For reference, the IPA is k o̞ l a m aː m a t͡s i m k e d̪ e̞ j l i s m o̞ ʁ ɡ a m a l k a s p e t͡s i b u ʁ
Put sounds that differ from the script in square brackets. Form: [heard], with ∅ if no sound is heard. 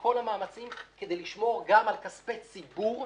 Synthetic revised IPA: k o̞ l a m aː m a t͡s i m k e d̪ e̞ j l i [ʃ] m o̞ ʁ ɡ a m a l k a s p e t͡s i b u ʁ